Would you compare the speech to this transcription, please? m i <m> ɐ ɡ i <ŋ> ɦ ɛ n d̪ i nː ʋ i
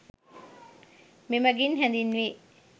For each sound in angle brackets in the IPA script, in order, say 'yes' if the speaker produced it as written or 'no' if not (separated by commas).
yes, no